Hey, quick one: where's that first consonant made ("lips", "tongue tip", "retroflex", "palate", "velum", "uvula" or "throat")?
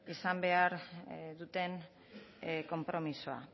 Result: tongue tip